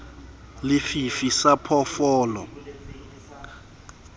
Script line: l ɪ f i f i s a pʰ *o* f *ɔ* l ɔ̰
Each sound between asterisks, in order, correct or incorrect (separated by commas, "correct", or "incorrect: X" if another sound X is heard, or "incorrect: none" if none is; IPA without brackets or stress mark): incorrect: ɔ, incorrect: ɔː